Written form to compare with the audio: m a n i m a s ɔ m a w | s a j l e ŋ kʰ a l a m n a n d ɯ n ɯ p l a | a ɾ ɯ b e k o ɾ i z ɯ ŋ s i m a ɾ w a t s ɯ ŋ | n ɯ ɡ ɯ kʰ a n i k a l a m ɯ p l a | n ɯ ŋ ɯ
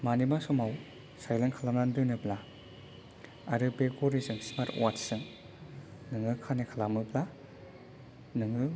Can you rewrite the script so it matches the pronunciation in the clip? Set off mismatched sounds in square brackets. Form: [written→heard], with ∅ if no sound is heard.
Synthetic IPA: m a n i m a s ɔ m a w | s a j l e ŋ kʰ a l a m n a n d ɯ n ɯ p l a | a ɾ ɯ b e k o ɾ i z ɯ ŋ s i m a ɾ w a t s ɯ ŋ | n ɯ [ɡ→ŋ] ɯ kʰ a n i [k→kʰ] a l a m ɯ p l a | n ɯ ŋ ɯ